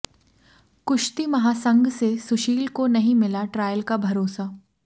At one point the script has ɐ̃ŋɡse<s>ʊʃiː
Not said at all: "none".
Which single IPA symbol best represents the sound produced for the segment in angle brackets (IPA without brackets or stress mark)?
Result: s